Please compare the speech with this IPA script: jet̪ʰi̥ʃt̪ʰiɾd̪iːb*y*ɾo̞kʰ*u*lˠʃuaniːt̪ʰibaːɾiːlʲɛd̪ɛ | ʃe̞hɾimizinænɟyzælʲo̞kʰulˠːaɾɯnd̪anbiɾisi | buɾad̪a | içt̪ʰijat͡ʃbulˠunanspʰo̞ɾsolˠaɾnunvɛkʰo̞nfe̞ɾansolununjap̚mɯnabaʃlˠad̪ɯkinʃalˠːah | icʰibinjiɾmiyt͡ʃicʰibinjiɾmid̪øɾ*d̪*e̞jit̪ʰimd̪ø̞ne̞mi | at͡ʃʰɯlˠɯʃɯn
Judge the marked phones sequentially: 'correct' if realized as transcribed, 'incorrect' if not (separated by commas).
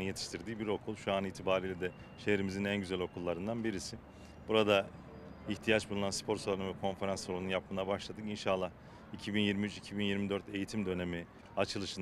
incorrect, correct, incorrect